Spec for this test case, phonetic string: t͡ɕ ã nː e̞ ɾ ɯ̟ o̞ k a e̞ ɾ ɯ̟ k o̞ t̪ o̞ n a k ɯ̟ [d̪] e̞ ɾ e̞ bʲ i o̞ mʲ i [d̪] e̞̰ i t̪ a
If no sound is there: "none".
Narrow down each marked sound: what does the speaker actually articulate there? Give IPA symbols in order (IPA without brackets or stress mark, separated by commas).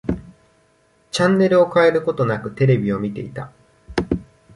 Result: t̪, t̪